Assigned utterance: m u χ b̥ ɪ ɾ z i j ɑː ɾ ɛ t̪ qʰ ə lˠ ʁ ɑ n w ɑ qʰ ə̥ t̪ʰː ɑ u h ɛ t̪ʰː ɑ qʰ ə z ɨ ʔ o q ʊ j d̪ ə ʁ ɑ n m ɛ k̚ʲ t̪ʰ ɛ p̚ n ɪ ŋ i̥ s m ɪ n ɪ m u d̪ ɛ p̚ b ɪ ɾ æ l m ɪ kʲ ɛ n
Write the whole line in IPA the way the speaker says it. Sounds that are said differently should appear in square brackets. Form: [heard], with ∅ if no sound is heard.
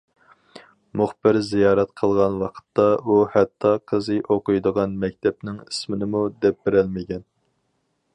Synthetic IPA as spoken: m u χ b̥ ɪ ɾ z i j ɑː ɾ ɛ t̪ qʰ ə lˠ ʁ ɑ n w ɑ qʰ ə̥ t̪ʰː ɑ u h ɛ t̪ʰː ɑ qʰ ə z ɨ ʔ o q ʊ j d̪ ə ʁ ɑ n m ɛ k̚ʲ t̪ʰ ɛ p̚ n ɪ ŋ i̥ s m ɪ n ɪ m u d̪ ɛ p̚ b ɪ ɾ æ l m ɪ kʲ ɛ n